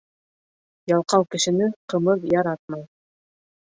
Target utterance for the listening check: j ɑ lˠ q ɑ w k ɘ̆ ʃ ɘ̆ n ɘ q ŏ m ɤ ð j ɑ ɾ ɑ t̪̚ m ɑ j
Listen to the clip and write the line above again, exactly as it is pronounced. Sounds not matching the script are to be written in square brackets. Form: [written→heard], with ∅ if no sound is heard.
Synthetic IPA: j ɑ lˠ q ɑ w k ɘ̆ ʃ ɘ̆ n ɘ q [ŏ→ɤ̆] m ɤ ð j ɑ ɾ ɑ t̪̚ m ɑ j